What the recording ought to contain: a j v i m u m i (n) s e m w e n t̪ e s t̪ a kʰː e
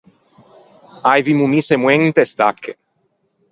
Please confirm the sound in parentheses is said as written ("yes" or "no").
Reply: no